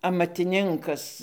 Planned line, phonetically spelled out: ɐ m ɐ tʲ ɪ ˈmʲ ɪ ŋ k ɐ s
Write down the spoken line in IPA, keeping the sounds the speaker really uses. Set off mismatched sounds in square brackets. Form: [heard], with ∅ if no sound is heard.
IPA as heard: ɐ m ɐ tʲ ɪ [ˈnʲ] ɪ ŋ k ɐ s